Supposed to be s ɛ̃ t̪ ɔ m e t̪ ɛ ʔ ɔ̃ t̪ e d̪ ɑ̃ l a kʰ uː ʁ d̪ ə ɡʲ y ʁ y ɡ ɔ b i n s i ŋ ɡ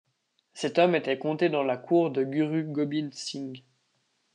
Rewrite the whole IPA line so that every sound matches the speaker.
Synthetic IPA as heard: s ɛ t̪ ɔ m e t̪ ɛ k ɔ̃ t̪ e d̪ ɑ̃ l a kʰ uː ʁ d̪ ə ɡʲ y ʁ y ɡ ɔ b i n s i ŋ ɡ